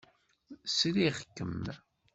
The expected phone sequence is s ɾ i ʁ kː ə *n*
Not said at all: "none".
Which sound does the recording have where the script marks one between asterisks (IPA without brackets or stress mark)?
m